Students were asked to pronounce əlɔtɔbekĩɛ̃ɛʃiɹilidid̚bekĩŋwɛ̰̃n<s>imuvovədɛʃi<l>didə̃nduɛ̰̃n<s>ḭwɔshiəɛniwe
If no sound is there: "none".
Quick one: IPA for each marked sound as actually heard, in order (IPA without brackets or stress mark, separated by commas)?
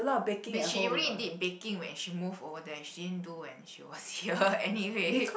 ʃ, none, ʃ